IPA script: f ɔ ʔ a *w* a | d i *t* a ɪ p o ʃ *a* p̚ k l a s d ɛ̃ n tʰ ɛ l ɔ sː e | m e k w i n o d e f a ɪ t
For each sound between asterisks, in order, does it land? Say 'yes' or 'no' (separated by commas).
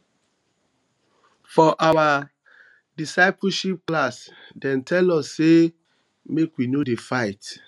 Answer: yes, no, no